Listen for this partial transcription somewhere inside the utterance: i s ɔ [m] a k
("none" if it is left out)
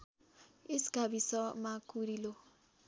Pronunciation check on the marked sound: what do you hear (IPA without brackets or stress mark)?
m